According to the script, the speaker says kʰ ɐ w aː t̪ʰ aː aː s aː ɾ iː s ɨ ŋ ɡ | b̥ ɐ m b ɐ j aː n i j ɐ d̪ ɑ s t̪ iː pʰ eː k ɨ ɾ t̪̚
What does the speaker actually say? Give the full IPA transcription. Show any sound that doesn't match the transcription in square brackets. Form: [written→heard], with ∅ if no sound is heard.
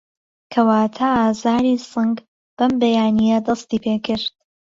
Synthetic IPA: kʰ ɐ w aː t̪ʰ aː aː [s→z] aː ɾ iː s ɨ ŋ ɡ | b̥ ɐ m b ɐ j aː n i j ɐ d̪ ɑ s t̪ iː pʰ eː k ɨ ɾ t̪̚

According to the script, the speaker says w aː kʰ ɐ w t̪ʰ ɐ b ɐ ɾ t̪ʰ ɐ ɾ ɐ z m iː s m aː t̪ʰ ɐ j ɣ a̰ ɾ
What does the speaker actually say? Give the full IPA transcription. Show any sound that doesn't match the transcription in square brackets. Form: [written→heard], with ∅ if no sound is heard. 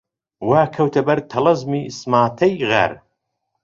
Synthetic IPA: w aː kʰ ɐ w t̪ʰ ɐ b ɐ ɾ t̪ʰ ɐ [ɾ→l] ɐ z m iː s m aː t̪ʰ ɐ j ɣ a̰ ɾ

